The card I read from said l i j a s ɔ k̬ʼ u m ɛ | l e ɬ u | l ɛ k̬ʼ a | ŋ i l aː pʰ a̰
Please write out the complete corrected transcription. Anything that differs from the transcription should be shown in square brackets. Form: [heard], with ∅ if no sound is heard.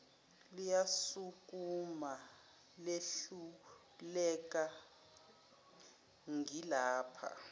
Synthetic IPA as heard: l i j a s [u] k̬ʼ u m [a] | l e ɬ u | l ɛ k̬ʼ a | ŋ i l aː pʰ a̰